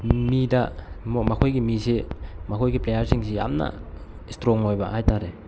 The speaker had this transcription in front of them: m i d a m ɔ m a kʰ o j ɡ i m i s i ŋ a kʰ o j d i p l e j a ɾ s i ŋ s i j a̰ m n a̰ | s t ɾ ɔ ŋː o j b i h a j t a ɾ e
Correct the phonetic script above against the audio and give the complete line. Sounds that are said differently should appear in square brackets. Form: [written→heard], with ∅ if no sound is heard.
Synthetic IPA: m i d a m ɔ m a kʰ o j ɡ i m i s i [ŋ→m] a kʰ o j [d→ɡ] i p l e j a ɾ s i ŋ s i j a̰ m n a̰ | s t ɾ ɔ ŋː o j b [i→a] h a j t a ɾ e

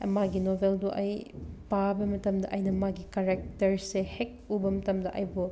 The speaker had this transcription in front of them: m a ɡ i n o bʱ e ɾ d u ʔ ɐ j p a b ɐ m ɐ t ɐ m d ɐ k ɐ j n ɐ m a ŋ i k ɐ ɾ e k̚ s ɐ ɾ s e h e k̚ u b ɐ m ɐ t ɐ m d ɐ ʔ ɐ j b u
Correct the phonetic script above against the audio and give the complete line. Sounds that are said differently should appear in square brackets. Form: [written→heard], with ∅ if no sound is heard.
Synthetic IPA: m a ɡ i n o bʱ e [ɾ→l] d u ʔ ɐ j p a b ɐ m ɐ t ɐ m d ɐ [k→ʔ] ɐ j n ɐ m a [ŋ→ɡ] i k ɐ ɾ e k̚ [s→t] ɐ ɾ s e h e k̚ u b ɐ m ɐ t ɐ m d ɐ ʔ ɐ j b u

